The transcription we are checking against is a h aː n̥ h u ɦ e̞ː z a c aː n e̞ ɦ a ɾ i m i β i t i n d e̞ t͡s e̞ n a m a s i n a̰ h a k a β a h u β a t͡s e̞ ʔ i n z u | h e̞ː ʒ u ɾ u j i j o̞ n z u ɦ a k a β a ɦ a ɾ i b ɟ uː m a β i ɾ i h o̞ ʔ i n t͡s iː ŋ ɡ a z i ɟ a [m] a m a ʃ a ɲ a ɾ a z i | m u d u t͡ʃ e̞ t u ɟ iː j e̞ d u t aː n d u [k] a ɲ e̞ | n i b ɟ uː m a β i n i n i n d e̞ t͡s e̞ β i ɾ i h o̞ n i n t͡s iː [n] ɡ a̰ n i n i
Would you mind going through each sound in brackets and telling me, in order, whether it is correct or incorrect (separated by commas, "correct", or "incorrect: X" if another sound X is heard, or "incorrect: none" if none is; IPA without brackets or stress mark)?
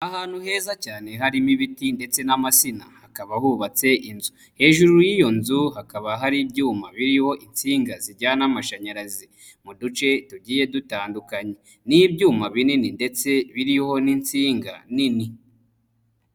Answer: incorrect: n, correct, incorrect: ŋ